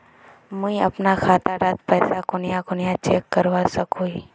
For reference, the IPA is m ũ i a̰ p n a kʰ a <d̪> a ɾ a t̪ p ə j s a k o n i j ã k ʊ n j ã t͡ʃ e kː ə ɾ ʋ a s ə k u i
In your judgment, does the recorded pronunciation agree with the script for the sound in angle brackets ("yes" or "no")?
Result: no